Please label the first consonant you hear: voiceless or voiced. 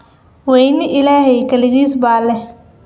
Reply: voiced